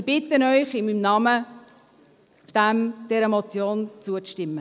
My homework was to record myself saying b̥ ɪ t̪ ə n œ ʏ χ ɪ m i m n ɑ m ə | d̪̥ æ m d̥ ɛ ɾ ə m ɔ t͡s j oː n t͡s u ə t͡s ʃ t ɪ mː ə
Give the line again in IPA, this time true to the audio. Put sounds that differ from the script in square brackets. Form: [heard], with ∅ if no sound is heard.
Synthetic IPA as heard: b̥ ɪ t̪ ə n œ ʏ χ ɪ m i m n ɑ m ə | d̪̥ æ m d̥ ɛ ɾ ə m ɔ t͡s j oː n t͡s u ə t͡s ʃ t ɪ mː ə